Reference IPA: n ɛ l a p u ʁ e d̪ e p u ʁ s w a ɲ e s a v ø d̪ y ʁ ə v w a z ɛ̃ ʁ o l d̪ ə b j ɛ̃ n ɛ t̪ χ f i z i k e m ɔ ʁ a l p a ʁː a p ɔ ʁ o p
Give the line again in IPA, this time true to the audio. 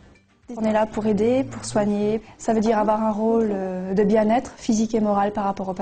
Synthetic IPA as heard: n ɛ l a p u ʁ e d̪ e p u ʁ s w a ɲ e s a v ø d̪ i ʁ a v w a ʁ ɛ̃ ʁ o l d̪ ə b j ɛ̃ n ɛ t̪ χ f i z i k e m ɔ ʁ a l p a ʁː a p ɔ ʁ o p